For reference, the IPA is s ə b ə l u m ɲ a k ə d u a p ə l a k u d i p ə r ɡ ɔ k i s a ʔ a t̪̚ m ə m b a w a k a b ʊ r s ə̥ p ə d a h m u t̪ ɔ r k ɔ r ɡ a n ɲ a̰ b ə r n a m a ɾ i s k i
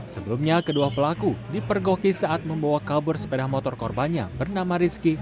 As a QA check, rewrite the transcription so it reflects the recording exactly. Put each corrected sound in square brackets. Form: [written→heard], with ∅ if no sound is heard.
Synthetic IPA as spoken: s ə b ə l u m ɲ a k ə d u a p ə l a k u d i p ə r ɡ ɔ k i s a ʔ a t̪̚ m ə m b a w a k a b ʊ r s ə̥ p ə d a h m [u→ɔ] t̪ ɔ r k ɔ r [ɡ→b] a n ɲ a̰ b ə r n a m a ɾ i s k i